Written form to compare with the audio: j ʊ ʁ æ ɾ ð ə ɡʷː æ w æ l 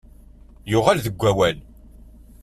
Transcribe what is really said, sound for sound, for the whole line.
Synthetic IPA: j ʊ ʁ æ l ð ə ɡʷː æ w æ l